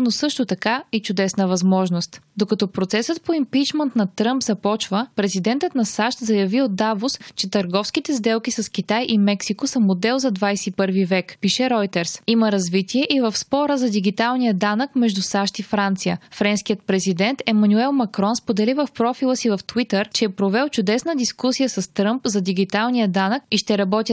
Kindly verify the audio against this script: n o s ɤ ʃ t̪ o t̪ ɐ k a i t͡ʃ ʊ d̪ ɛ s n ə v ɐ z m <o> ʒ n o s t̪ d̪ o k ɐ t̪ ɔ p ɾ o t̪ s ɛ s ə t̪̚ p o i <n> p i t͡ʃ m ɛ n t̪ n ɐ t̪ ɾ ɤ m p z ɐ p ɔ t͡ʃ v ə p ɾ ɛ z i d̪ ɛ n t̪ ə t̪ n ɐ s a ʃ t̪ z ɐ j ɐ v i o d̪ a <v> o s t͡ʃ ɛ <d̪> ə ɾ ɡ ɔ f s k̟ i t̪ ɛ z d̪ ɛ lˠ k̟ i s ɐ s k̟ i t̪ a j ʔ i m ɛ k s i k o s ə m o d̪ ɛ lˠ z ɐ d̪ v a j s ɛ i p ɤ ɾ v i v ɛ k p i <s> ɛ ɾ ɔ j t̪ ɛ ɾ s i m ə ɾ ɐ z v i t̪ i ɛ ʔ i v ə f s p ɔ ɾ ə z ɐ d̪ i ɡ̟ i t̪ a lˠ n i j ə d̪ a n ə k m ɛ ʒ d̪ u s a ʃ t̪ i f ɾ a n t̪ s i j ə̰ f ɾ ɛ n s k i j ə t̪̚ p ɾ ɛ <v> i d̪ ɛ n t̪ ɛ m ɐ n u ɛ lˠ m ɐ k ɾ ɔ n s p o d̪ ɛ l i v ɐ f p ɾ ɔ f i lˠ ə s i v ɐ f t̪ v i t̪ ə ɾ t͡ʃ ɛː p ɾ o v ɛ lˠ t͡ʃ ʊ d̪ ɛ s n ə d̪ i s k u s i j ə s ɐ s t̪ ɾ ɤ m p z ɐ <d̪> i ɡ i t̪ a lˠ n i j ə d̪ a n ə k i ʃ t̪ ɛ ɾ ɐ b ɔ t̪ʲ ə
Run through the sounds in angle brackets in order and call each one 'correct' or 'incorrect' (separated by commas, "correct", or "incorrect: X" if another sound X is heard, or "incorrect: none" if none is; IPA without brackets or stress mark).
incorrect: ɔ, incorrect: m, correct, incorrect: t̪, incorrect: ʃ, incorrect: z, correct